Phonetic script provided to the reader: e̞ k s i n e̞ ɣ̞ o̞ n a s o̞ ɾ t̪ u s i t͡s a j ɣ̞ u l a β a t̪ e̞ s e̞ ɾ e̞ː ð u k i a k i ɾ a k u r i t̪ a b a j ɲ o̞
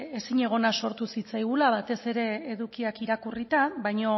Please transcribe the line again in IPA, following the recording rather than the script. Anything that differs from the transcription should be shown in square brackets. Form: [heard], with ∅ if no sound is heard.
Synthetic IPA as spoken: e̞ [∅] s i [ɲ] e̞ ɣ̞ o̞ n a s o̞ ɾ t̪ u s i t͡s a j ɣ̞ u l a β a t̪ e̞ s e̞ ɾ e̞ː ð u k i a k i ɾ a k u r i t̪ a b a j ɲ o̞